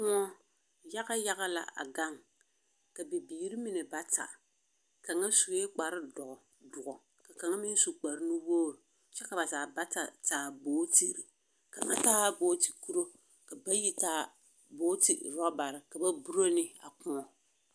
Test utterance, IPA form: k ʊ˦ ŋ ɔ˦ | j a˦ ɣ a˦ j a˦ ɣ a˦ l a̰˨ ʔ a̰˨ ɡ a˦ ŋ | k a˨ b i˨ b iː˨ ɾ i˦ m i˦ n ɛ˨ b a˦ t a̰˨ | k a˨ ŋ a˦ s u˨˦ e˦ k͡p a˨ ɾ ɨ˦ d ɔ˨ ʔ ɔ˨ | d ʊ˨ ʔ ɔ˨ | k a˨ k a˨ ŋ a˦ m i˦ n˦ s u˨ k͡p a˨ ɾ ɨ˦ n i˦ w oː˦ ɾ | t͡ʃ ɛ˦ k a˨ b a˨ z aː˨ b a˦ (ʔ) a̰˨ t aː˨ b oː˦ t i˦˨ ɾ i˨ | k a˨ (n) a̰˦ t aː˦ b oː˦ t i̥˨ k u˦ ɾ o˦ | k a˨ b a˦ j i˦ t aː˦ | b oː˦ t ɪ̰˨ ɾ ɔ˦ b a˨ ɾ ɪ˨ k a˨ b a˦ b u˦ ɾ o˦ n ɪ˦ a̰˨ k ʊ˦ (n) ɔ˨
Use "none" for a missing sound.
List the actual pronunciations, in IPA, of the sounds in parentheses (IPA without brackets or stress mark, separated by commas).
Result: t, ŋ, ŋ